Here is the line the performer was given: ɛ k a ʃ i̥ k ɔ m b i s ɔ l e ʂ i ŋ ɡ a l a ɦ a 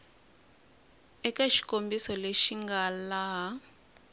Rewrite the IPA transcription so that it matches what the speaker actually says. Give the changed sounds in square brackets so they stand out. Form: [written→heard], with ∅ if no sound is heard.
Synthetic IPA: ɛ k a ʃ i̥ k [ɔ→o] m b i s ɔ l e [ʂ→ʃ] i ŋ ɡ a l a ɦ a